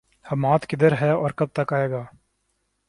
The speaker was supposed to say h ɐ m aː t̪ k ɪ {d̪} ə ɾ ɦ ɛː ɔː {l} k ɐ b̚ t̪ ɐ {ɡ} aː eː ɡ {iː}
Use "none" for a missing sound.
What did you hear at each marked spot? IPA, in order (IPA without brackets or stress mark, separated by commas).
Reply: d̪, ɾ, k, aː